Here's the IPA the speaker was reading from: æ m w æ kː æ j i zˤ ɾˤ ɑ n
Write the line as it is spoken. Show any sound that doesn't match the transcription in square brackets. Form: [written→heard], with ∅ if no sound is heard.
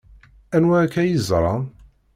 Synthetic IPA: æ [m→n] w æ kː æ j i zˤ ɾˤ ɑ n